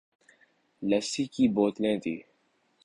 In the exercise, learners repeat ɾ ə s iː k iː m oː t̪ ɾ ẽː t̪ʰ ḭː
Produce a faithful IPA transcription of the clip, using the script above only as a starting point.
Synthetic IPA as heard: l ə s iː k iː b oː t̪ l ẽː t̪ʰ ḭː